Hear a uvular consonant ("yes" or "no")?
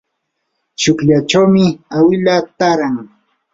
no